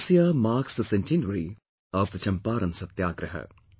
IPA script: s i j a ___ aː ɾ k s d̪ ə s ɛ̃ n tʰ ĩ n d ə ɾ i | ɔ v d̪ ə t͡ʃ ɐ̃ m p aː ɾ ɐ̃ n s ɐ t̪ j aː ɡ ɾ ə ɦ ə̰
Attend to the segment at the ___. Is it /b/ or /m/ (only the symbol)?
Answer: m